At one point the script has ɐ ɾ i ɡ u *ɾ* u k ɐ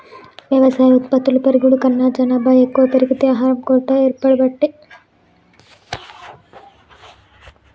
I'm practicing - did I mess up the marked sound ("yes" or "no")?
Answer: yes